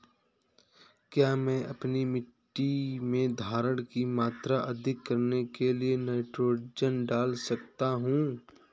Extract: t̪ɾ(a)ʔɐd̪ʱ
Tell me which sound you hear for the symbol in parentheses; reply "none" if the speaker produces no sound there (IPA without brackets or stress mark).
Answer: a